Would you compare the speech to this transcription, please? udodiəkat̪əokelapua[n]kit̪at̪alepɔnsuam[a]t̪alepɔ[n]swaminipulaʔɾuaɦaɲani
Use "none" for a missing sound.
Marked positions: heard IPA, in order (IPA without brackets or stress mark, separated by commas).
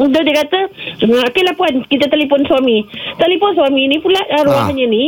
n, i, n